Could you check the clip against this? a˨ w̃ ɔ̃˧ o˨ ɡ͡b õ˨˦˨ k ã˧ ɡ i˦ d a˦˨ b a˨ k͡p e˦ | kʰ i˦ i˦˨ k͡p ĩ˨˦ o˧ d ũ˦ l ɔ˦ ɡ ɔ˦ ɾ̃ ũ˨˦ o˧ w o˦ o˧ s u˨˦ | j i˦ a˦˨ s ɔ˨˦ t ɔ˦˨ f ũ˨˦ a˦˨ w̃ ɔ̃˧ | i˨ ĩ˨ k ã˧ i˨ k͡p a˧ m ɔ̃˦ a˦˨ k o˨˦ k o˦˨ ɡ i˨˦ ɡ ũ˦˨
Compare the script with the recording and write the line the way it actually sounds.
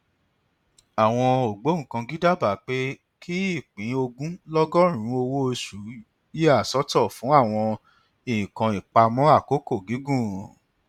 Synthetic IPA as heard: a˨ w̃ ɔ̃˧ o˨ ɡ͡b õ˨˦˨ k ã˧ ɡ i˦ d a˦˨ b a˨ k͡p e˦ | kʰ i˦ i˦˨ k͡p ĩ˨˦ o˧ ɡ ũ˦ l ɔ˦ ɡ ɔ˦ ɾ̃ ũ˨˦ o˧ w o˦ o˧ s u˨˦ | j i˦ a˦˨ s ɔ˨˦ t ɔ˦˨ f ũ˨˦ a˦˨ w̃ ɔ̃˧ | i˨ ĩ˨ k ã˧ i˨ k͡p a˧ m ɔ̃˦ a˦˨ k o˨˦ k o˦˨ ɡ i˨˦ ɡ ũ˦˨